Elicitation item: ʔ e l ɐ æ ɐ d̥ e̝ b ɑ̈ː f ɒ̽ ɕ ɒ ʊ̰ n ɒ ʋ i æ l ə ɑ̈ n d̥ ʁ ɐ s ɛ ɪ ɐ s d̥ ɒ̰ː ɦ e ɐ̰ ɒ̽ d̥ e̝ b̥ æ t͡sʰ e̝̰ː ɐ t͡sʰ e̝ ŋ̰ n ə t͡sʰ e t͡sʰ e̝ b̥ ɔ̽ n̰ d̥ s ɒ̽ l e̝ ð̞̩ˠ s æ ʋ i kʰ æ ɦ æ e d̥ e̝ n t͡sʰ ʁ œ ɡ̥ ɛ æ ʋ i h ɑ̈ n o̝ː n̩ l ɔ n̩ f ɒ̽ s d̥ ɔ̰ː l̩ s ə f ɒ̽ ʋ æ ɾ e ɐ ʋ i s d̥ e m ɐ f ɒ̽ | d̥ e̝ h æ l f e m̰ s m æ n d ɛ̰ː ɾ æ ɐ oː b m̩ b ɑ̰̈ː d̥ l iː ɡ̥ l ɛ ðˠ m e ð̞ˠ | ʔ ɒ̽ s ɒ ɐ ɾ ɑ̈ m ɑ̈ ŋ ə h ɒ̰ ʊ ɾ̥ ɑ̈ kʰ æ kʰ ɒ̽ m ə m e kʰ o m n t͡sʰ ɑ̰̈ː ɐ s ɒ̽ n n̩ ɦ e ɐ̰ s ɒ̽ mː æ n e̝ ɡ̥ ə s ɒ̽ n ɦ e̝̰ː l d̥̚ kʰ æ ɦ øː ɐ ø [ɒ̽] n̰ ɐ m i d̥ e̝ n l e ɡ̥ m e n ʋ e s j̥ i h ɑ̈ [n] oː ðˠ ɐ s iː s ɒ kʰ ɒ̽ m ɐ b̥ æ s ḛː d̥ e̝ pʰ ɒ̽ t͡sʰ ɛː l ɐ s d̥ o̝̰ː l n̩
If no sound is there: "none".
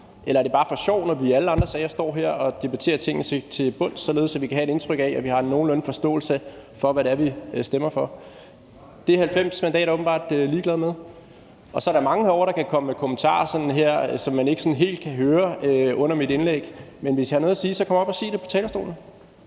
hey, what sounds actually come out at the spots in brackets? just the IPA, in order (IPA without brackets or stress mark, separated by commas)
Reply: ɔ̽, n